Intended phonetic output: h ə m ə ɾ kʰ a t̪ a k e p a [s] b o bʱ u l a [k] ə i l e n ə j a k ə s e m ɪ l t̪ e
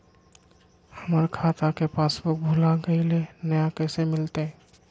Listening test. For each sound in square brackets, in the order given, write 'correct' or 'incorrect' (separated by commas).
correct, incorrect